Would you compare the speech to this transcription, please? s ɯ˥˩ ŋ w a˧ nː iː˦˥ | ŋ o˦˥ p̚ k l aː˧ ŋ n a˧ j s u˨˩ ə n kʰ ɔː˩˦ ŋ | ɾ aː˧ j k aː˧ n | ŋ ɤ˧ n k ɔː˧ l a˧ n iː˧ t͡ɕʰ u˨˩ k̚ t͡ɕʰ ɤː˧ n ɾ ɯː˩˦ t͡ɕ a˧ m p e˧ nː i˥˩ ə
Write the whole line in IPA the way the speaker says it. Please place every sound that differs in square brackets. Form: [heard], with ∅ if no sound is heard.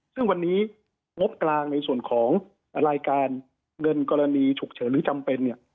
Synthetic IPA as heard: s ɯ˥˩ ŋ w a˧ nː iː˦˥ | ŋ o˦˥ p̚ k l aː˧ ŋ n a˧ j s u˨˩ ə n kʰ ɔː˩˦ ŋ | ɾ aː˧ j k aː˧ n | ŋ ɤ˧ n k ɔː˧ [ɾ] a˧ n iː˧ t͡ɕʰ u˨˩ k̚ t͡ɕʰ [ɤː˩˦] n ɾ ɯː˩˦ t͡ɕ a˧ m p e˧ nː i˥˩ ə